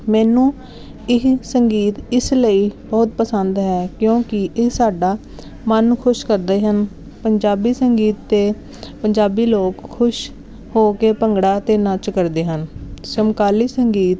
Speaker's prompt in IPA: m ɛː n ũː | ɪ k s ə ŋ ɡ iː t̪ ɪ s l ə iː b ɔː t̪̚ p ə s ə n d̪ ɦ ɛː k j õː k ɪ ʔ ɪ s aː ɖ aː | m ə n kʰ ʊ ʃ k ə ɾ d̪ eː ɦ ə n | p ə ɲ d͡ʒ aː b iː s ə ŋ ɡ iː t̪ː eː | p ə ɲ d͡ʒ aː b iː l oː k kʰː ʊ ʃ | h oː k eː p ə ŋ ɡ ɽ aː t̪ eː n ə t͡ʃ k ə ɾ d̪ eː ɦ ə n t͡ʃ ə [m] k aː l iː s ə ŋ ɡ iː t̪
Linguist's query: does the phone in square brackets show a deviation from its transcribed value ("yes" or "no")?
no